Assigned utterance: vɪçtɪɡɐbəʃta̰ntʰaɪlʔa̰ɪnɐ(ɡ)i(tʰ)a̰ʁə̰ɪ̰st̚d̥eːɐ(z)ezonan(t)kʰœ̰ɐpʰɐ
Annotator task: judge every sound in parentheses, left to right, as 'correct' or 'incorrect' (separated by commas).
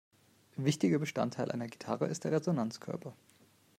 correct, correct, incorrect, incorrect